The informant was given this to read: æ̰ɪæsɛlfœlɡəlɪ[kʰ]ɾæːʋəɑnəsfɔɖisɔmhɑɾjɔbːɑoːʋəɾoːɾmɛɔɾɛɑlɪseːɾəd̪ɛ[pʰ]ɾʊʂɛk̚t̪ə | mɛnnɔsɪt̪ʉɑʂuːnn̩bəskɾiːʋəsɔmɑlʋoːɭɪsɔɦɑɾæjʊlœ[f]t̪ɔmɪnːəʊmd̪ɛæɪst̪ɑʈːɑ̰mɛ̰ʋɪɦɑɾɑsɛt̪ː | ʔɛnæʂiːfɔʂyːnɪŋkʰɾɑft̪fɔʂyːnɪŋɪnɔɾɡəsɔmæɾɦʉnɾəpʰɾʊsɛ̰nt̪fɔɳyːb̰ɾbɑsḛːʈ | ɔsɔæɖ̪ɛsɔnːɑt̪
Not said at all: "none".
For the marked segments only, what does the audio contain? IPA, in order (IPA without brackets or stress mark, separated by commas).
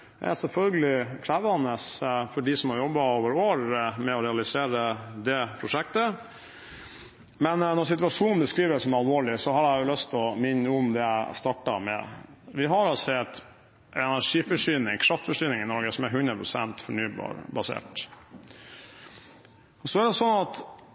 kʰ, pʰ, s